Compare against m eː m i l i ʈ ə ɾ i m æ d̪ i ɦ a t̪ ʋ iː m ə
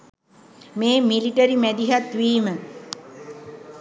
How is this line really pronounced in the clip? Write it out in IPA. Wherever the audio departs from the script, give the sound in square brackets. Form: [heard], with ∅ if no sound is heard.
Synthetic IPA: m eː m i l i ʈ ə ɾ i m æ d̪ i ɦ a t̪ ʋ iː m ə